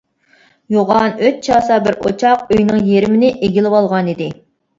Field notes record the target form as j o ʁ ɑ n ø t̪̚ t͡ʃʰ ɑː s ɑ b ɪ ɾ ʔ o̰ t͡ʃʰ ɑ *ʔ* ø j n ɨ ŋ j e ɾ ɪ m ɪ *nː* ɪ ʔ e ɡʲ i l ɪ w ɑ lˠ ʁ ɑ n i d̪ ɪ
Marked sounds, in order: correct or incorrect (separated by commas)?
incorrect, incorrect